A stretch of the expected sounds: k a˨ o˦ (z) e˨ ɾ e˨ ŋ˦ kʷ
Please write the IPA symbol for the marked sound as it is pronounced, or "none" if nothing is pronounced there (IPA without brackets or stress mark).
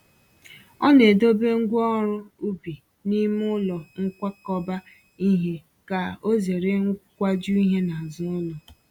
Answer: z